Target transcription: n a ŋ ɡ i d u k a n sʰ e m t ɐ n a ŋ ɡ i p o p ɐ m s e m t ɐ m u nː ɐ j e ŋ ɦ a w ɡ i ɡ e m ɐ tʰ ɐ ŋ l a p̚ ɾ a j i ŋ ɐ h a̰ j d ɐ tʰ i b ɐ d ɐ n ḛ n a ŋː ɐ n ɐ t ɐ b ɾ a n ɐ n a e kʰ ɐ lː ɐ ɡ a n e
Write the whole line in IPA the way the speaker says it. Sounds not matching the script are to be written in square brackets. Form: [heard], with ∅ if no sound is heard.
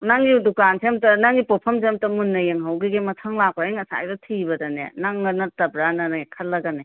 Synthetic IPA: n a ŋ ɡ i d u k a n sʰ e m t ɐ n a ŋ ɡ i p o [pʰ] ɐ m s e m t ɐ m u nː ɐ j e ŋ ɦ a w ɡ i ɡ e m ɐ tʰ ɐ ŋ l a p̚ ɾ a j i ŋ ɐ [s] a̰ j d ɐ tʰ i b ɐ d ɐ n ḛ n a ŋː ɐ n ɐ t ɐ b ɾ a n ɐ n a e kʰ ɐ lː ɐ ɡ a n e